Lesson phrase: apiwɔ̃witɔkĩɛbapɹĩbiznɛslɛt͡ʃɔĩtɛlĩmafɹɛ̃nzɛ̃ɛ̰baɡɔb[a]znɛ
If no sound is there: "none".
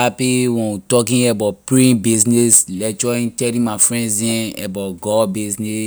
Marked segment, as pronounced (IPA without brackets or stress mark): i